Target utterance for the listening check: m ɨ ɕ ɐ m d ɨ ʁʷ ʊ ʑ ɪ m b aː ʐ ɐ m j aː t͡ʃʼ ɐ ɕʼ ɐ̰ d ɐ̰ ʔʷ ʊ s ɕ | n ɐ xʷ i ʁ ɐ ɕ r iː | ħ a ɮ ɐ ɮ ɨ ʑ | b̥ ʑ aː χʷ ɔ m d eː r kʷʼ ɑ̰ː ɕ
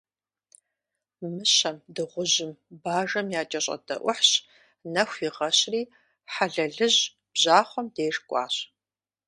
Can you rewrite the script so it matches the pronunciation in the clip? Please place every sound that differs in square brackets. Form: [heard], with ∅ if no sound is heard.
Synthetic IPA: m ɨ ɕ ɐ m d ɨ ʁʷ ʊ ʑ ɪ m b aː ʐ ɐ m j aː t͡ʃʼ ɐ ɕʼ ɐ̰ d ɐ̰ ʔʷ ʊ [ħ] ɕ | n ɐ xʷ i ʁ ɐ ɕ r iː | ħ a ɮ ɐ ɮ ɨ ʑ | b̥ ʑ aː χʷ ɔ m d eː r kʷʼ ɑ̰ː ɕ